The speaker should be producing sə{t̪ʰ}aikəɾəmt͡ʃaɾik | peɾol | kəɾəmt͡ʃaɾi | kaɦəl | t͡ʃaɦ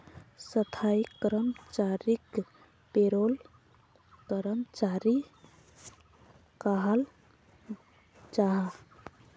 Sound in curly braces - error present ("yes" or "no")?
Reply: no